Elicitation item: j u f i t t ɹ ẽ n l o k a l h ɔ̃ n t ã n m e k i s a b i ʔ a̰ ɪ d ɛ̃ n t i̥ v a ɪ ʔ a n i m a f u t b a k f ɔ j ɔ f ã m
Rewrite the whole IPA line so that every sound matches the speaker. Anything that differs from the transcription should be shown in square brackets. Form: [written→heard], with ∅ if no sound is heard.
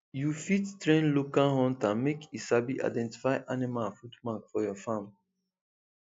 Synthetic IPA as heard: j u f i t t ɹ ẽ n l o k a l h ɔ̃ n t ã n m e k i s a b i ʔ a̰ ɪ d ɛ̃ n t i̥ [v→f] a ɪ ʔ a n i m a f u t [b→m] a k f ɔ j ɔ f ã m